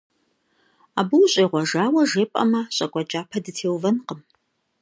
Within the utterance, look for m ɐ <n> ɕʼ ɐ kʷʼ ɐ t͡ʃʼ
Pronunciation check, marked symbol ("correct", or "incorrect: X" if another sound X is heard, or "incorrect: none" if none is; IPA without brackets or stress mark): incorrect: none